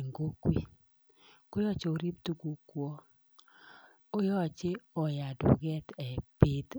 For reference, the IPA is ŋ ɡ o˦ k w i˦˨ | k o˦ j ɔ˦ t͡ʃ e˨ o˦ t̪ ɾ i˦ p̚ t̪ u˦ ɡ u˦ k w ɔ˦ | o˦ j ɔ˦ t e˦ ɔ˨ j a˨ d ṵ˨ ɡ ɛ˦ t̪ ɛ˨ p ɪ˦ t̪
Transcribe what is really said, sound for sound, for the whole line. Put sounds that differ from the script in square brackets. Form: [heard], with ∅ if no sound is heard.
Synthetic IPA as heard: ŋ ɡ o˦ k w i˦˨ | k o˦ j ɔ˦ t͡ʃ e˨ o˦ [∅] ɾ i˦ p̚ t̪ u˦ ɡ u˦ k w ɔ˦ | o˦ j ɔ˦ [t͡ʃ] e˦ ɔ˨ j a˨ d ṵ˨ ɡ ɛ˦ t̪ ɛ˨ p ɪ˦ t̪